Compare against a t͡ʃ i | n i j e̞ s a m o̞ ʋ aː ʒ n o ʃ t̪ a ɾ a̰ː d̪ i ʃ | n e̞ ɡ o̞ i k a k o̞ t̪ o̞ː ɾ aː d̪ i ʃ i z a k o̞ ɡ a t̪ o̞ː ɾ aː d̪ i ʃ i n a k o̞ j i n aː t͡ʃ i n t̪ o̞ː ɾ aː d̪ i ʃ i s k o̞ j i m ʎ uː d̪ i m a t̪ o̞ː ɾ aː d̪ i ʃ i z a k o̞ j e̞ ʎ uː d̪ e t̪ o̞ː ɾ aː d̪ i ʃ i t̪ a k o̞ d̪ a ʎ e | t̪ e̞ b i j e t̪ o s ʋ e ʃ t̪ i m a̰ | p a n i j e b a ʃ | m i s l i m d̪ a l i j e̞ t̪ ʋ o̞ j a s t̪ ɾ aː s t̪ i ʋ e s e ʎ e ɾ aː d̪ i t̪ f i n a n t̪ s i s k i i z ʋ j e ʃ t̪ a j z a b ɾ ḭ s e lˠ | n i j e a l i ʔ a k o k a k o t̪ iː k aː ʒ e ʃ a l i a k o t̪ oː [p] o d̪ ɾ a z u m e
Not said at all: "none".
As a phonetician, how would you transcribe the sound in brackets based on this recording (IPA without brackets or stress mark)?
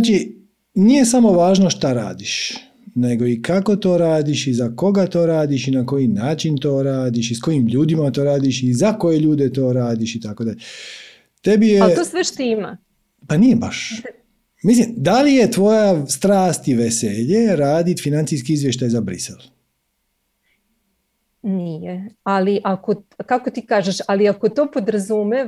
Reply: p